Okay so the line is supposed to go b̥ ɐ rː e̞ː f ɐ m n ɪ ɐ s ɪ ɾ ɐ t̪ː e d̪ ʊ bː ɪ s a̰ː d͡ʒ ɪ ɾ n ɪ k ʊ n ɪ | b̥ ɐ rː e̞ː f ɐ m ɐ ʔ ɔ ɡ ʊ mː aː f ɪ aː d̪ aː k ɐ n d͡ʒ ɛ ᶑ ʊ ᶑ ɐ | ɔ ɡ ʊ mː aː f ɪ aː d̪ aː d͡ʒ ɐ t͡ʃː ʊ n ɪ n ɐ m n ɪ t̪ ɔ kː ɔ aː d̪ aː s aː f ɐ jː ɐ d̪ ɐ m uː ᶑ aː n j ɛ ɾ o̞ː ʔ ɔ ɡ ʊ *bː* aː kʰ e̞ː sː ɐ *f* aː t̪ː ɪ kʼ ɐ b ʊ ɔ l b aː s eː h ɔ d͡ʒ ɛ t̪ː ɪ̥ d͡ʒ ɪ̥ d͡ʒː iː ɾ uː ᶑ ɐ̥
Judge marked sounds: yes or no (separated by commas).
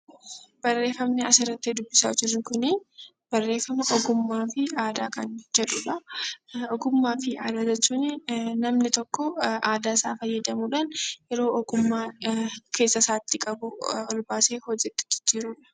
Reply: no, no